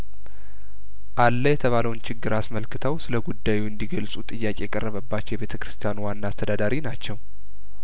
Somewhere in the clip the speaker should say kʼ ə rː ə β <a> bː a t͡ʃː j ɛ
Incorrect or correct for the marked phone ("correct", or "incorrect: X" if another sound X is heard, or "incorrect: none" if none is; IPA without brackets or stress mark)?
incorrect: ə